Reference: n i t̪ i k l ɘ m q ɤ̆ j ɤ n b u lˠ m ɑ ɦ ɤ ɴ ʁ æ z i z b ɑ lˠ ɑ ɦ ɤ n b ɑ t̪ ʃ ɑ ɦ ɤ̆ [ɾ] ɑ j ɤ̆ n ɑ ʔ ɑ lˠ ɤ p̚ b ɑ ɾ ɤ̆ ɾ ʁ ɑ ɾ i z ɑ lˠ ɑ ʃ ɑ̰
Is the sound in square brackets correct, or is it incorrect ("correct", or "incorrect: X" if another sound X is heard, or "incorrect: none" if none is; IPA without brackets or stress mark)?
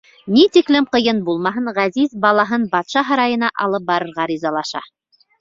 correct